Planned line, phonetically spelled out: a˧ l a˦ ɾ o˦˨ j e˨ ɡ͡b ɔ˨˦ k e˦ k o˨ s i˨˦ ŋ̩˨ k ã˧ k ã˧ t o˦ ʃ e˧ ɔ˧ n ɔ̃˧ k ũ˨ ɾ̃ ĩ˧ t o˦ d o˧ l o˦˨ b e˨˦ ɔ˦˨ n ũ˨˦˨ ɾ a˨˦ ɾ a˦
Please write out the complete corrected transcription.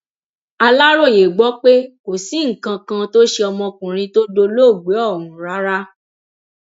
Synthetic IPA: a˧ l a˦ ɾ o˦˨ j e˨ ɡ͡b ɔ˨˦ k͡p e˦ k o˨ s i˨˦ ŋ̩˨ k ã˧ k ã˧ t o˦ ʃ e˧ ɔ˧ m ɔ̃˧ k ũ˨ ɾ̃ ĩ˧ t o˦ d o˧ l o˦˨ ɡ͡b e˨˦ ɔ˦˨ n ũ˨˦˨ ɾ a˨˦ ɾ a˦